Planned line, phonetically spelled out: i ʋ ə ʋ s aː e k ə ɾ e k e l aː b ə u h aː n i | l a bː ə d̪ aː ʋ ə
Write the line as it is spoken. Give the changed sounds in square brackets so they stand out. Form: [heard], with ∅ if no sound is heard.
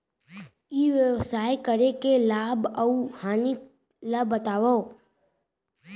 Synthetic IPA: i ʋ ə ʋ s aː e k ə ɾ e k e l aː b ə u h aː n i | l a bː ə [t̪] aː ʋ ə